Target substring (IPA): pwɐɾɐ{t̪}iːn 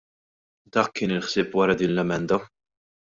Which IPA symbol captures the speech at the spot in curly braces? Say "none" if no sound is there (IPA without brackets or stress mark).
d̪